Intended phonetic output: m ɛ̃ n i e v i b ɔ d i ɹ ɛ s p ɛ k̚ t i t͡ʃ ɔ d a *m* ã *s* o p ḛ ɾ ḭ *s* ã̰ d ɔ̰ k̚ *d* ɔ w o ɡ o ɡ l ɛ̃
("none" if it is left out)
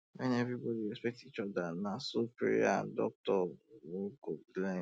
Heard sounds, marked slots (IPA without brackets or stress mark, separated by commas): n, s, none, t